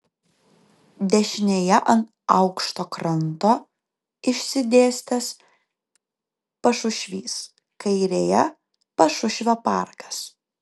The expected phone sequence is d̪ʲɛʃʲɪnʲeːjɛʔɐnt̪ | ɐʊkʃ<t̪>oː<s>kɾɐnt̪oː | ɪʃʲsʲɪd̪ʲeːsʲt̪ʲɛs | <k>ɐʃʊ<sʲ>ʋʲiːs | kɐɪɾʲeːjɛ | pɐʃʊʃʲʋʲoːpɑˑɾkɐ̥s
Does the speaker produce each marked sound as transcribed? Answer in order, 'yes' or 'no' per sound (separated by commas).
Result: yes, no, no, no